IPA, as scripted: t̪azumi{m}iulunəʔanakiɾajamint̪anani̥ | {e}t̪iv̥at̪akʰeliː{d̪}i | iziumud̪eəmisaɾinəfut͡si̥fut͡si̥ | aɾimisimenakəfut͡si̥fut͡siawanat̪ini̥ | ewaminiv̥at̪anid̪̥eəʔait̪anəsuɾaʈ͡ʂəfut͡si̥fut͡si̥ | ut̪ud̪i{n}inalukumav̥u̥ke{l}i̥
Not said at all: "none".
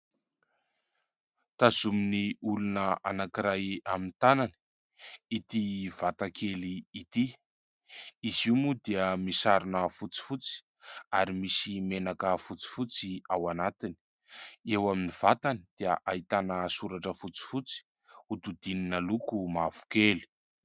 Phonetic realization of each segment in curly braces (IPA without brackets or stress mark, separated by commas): n, i, t̪, n, l